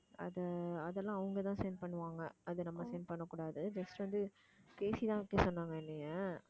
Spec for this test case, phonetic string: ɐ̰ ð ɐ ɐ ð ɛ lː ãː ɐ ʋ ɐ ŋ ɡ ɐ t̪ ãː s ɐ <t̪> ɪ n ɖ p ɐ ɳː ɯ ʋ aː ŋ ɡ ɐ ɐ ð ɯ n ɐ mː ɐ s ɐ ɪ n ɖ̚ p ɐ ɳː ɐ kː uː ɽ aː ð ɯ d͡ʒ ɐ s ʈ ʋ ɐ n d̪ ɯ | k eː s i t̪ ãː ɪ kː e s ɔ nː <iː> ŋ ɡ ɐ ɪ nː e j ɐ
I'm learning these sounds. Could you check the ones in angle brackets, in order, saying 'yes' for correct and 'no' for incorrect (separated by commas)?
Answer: no, no